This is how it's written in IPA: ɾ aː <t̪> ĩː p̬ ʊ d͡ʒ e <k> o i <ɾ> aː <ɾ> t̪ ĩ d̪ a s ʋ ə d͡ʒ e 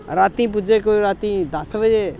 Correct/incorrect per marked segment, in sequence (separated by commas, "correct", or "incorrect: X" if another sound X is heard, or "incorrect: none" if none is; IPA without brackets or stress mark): correct, correct, correct, incorrect: none